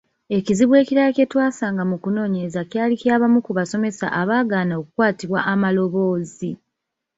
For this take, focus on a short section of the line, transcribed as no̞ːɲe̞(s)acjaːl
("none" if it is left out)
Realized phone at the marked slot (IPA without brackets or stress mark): z